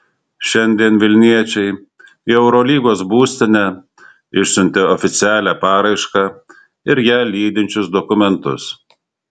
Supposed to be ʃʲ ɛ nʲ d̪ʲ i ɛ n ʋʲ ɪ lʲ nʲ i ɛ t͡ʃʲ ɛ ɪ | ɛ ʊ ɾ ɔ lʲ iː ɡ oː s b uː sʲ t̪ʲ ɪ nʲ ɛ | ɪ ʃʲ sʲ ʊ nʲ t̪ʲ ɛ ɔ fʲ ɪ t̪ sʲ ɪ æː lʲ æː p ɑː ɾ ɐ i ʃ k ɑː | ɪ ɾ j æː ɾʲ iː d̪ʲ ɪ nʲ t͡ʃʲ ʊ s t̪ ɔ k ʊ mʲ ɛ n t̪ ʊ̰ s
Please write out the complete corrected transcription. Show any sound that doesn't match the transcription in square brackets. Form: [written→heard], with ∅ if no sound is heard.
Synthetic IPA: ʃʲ ɛ nʲ d̪ʲ i ɛ n ʋʲ ɪ lʲ nʲ i ɛ t͡ʃʲ ɛ ɪ | ɛ ʊ ɾ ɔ lʲ iː ɡ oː s b uː sʲ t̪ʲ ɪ nʲ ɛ | ɪ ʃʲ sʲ ʊ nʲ t̪ʲ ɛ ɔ fʲ ɪ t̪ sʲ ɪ æː lʲ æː p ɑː ɾ ɐ [i→ɪ] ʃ k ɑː | ɪ ɾ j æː [ɾʲ→lʲ] iː d̪ʲ ɪ nʲ t͡ʃʲ ʊ s [t̪→d̪] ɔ k ʊ mʲ ɛ n t̪ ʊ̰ s

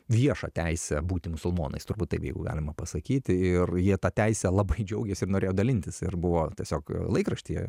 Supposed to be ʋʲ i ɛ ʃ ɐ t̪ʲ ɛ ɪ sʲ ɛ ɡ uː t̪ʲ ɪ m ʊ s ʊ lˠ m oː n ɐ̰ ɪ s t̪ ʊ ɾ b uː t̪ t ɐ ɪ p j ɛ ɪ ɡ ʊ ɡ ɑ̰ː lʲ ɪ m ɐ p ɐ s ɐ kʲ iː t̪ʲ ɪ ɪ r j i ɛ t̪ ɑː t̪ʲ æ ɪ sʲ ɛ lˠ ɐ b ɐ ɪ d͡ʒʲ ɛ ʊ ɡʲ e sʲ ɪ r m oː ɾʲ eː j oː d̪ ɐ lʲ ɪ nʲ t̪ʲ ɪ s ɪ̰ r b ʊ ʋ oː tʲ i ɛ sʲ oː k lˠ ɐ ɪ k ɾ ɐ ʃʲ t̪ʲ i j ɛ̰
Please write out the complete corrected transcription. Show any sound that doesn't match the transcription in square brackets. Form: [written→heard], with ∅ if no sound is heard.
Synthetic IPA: ʋʲ i ɛ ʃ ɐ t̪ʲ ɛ ɪ sʲ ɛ [ɡ→b] uː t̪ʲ ɪ m ʊ s ʊ lˠ m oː n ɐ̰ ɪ s t̪ ʊ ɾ b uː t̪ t ɐ ɪ p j ɛ ɪ ɡ ʊ ɡ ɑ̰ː lʲ ɪ m ɐ p ɐ s ɐ kʲ iː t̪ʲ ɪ ɪ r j i ɛ t̪ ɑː t̪ʲ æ ɪ sʲ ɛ lˠ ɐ b ɐ ɪ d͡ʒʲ ɛ ʊ ɡʲ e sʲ ɪ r [m→n] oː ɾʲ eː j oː d̪ ɐ lʲ ɪ nʲ t̪ʲ ɪ s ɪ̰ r b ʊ ʋ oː tʲ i ɛ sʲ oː k lˠ ɐ ɪ k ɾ ɐ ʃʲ t̪ʲ i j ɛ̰

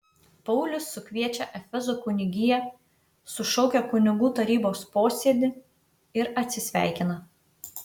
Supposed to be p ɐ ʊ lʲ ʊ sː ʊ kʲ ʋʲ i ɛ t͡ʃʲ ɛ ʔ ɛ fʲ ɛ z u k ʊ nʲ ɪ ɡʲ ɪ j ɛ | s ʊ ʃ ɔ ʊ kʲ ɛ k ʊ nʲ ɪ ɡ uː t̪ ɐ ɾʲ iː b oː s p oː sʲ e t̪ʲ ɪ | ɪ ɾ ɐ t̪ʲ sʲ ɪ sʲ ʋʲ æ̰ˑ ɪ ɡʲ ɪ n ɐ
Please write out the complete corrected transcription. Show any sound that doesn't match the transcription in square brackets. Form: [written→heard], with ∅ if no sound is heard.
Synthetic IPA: p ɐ ʊ lʲ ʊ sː ʊ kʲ ʋʲ i ɛ t͡ʃʲ ɛ ʔ ɛ fʲ ɛ z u k ʊ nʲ ɪ ɡʲ ɪ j ɛ | s ʊ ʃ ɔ ʊ kʲ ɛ k ʊ nʲ ɪ ɡ uː t̪ ɐ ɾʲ iː b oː s p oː sʲ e [t̪ʲ→d̪ʲ] ɪ | ɪ ɾ ɐ t̪ʲ sʲ ɪ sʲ ʋʲ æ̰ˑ ɪ [ɡʲ→kʲ] ɪ n ɐ

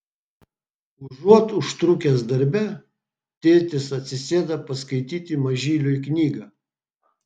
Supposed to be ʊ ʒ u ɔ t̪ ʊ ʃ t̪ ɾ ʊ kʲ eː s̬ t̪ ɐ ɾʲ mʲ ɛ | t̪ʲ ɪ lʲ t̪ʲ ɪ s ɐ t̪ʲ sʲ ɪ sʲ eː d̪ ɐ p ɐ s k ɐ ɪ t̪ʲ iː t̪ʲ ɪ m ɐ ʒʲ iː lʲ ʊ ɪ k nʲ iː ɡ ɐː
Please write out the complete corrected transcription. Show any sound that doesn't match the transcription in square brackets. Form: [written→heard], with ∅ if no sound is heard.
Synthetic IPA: ʊ ʒ u ɔ t̪ ʊ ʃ t̪ ɾ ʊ kʲ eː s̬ [t̪→d̪] ɐ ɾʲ [mʲ→bʲ] ɛ | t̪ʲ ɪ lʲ t̪ʲ ɪ s ɐ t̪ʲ sʲ ɪ sʲ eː d̪ ɐ p ɐ s k ɐ ɪ t̪ʲ iː t̪ʲ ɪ m ɐ ʒʲ iː lʲ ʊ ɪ k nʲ iː ɡ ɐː

